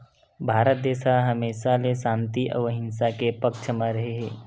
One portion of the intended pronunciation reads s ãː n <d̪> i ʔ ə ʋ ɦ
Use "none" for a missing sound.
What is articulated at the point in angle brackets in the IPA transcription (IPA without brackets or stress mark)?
t̪